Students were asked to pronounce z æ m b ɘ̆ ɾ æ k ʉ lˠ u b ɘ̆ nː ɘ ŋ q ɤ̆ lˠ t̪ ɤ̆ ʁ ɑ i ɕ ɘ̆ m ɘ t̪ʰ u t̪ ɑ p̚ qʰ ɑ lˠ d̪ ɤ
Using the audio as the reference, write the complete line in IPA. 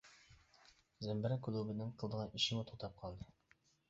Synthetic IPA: z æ m b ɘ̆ ɾ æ k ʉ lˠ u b ɘ̆ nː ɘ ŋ q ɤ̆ lˠ d̪ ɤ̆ ʁ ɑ i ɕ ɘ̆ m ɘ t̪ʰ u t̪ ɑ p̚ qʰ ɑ lˠ d̪ ɤ

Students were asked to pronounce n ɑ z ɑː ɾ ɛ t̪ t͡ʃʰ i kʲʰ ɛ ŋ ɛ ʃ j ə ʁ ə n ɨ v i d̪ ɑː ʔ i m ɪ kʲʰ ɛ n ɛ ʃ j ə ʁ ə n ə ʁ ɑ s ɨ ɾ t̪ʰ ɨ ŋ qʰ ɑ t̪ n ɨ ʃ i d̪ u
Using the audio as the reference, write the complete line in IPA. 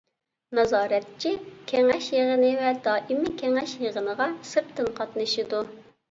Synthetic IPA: n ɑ z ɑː ɾ ɛ t̪ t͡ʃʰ i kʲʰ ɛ ŋ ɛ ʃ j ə ʁ ə n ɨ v ɛ d̪ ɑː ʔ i m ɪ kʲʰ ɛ ŋ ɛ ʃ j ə ʁ ə n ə ʁ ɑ s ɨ ɾ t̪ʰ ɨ n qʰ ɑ t̪ n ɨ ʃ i d̪ u

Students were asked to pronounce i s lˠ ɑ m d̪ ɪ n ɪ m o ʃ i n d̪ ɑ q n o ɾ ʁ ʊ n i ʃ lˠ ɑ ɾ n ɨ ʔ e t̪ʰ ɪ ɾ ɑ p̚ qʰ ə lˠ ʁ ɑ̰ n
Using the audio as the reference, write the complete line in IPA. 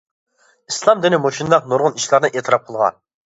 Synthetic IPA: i s lˠ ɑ m d̪ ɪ n ɪ m o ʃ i n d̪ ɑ q n o ɾ ʁ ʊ n i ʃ lˠ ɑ ɾ n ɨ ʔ e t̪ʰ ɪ ɾ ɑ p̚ qʰ ə lˠ ʁ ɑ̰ n

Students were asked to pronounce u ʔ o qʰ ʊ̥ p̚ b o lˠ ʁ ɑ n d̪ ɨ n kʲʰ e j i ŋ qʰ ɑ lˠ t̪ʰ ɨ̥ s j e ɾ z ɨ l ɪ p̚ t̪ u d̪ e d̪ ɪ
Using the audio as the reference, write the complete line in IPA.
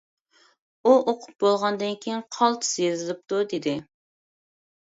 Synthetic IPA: u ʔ o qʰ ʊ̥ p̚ b o lˠ ʁ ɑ n d̪ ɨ n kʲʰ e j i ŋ qʰ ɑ lˠ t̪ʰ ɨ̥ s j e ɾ z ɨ l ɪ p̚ t̪ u d̪ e d̪ ɪ

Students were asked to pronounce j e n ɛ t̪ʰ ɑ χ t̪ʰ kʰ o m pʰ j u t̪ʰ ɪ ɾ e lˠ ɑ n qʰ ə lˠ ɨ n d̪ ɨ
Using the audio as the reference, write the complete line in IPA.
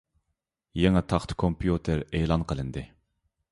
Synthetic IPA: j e ŋ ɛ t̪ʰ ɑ χ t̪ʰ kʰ o m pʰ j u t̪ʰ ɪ ɾ e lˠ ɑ n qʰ ə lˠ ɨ n d̪ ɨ

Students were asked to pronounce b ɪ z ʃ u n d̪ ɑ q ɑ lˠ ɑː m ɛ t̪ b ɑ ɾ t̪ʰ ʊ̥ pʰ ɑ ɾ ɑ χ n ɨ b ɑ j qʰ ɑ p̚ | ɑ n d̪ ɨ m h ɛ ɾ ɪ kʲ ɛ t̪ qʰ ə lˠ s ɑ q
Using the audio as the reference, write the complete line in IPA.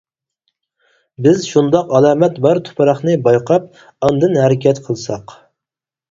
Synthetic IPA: b ɪ z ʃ u n d̪ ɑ q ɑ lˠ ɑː m ɛ t̪ b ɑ ɾ t̪ʰ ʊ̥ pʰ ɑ ɾ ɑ χ n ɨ b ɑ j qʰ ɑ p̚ | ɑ n d̪ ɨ n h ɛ ɾ ɪ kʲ ɛ t̪ qʰ ə lˠ s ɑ q

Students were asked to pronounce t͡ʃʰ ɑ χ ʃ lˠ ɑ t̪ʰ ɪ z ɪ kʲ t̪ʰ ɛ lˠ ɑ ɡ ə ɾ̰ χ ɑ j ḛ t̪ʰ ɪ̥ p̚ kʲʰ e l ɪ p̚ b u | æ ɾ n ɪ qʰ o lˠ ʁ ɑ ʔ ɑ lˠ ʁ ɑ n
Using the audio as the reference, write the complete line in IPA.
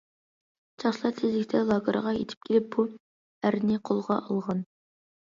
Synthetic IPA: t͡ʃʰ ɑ χ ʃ lˠ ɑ t̪ʰ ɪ z ɪ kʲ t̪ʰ ɛ lˠ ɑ ɡ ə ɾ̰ ʁ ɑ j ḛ t̪ʰ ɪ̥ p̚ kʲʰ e l ɪ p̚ b u | æ ɾ n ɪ qʰ o lˠ ʁ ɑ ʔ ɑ lˠ ʁ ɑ n

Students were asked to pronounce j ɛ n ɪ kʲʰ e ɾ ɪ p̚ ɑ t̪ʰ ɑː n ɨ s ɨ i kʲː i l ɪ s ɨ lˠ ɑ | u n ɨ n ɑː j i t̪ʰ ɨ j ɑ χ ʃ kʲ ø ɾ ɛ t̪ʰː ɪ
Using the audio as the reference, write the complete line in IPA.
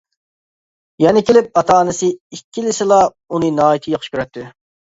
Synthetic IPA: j ɛ n ɪ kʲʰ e l ɪ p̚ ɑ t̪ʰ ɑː n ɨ s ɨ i kʲː i l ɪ s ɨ lˠ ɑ | u n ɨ n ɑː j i t̪ʰ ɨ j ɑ χ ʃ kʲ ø ɾ ɛ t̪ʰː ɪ

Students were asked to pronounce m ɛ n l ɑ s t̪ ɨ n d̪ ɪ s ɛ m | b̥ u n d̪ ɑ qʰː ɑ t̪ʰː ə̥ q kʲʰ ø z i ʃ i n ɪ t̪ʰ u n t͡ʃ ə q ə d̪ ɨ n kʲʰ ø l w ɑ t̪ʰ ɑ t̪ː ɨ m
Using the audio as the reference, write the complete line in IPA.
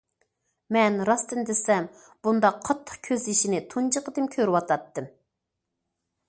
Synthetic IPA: m ɛ n ɾ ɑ s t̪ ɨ n d̪ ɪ s ɛ m | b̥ u n d̪ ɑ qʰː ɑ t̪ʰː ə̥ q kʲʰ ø z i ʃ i n ɪ t̪ʰ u n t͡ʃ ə q ə d̪ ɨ m kʲʰ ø ɾ w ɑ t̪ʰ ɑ t̪ː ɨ m

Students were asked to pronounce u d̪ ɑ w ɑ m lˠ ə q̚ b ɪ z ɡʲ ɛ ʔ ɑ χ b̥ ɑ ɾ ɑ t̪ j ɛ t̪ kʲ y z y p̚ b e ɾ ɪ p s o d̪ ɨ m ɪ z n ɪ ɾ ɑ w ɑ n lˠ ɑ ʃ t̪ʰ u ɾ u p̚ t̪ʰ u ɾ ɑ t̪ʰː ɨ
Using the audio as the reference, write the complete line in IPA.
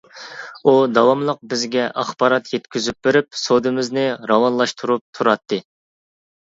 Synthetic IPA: u d̪ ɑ w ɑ m lˠ ə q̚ b ɪ z ɡʲ ɛ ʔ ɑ χ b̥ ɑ ɾ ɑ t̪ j ɛ t̪ kʲ y z y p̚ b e ɾ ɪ p s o d̪ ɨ m ɪ z n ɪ ɾ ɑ w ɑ n lˠ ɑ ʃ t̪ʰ u ɾ u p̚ t̪ʰ u ɾ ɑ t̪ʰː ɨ

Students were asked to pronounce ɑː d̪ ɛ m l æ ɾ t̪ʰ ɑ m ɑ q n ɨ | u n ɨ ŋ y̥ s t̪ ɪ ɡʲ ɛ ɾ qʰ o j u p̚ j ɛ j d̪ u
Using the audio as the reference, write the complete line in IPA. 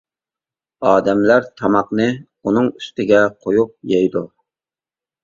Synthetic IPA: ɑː d̪ ɛ m l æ ɾ t̪ʰ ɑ m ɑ q n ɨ | u n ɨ ŋ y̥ s t̪ ɪ ɡʲ ɛ qʰ o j u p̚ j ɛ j d̪ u

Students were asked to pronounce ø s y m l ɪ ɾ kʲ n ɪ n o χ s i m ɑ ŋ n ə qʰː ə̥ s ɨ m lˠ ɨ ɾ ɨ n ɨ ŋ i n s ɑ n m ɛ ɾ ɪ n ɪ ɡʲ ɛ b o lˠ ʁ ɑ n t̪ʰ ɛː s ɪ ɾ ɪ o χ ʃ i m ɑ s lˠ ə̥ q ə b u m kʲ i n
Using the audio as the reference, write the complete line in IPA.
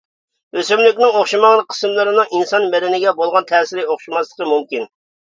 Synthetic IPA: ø s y m l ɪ kʲ n ɪ ŋ o χ ʃ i m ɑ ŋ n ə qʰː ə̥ s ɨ m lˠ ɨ ɾ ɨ n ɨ ŋ i n s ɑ n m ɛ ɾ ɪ n ɪ ɡʲ ɛ b o lˠ ʁ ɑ n t̪ʰ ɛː s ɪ ɾ ɪ o χ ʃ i m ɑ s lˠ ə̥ q ə m u m kʲ i n

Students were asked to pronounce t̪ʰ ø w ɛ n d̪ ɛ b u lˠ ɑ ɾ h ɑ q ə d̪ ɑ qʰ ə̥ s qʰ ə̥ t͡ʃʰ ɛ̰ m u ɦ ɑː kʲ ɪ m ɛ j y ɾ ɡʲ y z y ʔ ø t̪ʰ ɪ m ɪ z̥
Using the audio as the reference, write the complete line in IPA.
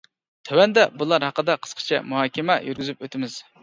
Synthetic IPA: t̪ʰ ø w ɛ n d̪ ɛ b u lˠ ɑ ɾ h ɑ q ə d̪ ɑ qʰ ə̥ s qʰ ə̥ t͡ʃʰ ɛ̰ m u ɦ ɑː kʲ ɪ m ɛ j y ɾ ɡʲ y z y p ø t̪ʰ ɪ m ɪ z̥

